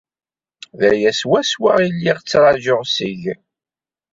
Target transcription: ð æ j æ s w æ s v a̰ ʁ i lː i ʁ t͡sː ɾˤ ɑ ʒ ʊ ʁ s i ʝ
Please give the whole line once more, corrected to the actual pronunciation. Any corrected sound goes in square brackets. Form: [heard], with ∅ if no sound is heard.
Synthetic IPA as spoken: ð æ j æ s w æ s [w] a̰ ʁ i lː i ʁ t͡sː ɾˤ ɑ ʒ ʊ ʁ s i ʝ